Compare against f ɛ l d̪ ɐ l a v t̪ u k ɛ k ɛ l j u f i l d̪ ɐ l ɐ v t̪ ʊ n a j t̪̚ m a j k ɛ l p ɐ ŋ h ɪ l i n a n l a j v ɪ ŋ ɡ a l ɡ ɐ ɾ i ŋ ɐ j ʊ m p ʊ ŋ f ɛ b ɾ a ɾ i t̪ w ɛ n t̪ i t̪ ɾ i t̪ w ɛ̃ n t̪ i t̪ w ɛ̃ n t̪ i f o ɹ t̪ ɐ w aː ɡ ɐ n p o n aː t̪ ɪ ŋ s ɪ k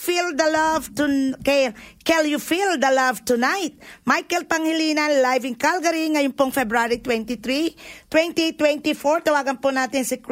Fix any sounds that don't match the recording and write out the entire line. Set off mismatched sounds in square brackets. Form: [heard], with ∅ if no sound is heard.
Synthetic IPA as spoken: f [i] l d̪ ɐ l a v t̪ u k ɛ k ɛ l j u f i l d̪ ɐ l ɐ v t̪ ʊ n a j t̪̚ m a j k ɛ l p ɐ ŋ h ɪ l i n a n l a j v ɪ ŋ [k] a l ɡ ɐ ɾ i ŋ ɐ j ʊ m p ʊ ŋ f ɛ b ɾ a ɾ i t̪ w ɛ n t̪ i t̪ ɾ i t̪ w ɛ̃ n t̪ i t̪ w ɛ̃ n t̪ i f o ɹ t̪ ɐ w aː ɡ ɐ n p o n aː t̪ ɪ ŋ s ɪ k